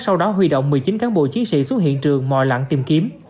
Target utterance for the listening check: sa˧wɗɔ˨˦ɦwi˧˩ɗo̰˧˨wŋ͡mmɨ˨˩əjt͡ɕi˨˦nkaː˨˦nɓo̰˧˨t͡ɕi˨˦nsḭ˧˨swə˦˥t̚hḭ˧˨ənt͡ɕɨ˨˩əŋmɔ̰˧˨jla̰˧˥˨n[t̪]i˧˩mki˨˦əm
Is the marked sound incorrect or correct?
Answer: correct